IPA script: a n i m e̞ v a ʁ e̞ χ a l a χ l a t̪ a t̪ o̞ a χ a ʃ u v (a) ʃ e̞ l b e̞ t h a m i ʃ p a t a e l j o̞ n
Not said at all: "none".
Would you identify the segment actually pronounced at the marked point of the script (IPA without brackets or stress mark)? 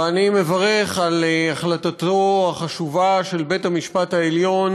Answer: a